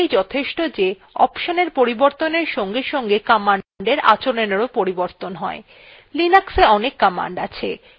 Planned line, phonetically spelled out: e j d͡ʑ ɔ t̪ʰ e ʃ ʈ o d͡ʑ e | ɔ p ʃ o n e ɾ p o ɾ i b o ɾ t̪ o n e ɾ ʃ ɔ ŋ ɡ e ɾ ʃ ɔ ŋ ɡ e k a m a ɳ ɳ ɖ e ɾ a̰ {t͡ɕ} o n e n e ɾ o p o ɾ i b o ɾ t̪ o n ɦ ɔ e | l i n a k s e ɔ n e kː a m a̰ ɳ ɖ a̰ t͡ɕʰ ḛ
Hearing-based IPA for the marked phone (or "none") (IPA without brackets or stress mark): t͡ɕ